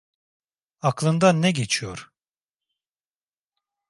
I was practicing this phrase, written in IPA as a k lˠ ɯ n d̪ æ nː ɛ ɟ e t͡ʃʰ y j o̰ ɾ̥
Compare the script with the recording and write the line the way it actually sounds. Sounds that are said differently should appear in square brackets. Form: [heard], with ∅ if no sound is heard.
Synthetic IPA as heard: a k lˠ ɯ n d̪ [a] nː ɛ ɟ e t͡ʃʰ [i] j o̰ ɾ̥